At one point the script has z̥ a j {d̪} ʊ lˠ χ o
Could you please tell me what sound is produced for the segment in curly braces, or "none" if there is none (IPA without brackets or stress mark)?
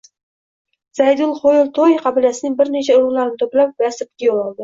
d̪